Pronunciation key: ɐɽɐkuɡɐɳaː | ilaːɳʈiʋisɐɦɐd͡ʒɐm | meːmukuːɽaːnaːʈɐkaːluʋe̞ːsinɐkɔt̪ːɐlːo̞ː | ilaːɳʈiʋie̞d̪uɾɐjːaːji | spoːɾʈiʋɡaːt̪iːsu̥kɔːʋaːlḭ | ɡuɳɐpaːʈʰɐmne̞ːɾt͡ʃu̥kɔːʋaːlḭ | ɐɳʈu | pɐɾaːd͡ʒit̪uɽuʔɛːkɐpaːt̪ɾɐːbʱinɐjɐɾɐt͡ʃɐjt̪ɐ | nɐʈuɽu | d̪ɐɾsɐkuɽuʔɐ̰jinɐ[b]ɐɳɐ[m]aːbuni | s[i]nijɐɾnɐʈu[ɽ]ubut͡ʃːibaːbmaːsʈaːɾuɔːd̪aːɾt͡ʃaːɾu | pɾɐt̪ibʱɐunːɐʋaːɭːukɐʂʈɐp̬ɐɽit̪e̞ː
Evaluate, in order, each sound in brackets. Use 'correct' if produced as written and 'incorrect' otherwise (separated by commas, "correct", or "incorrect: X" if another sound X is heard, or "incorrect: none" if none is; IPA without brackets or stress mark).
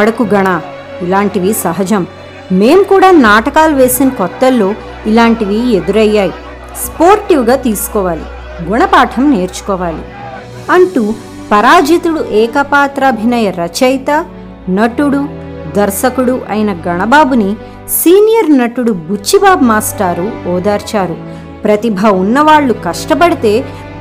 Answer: incorrect: ɡ, incorrect: b, incorrect: iː, correct